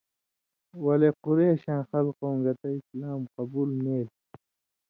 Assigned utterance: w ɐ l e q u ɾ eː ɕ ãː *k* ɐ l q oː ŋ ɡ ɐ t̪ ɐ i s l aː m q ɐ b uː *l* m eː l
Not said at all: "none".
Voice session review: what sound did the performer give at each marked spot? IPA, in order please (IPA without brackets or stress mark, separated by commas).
x, l